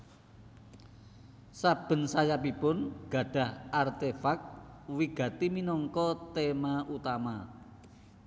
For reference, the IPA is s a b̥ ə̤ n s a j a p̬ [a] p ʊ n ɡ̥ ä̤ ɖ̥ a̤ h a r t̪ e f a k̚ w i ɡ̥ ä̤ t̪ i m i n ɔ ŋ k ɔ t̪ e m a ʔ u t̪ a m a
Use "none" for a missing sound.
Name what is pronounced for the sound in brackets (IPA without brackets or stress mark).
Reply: i